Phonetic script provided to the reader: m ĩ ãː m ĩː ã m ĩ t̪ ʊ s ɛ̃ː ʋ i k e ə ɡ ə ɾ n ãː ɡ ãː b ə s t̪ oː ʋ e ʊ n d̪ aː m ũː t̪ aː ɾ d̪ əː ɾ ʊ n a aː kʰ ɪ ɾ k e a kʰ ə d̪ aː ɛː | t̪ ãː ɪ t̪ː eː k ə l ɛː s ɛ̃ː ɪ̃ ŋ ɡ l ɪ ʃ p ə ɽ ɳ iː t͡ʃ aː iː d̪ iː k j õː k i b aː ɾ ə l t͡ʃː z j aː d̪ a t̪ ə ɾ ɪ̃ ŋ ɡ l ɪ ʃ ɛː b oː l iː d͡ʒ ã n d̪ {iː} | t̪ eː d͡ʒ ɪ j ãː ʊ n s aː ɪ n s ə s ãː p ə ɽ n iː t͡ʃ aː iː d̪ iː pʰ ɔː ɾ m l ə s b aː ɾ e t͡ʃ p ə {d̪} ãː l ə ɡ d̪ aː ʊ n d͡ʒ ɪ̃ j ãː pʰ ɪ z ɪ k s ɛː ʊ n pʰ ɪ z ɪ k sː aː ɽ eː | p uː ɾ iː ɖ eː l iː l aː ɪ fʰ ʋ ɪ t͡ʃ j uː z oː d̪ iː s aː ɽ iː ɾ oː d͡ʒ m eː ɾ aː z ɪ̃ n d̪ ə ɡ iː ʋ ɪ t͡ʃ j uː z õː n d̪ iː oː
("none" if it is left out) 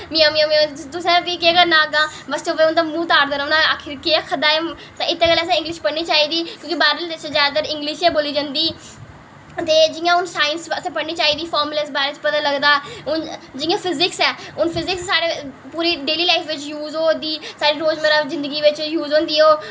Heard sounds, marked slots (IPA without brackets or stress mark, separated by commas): iː, t̪